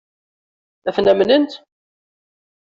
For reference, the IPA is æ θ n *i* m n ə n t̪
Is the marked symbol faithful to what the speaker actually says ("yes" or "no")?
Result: no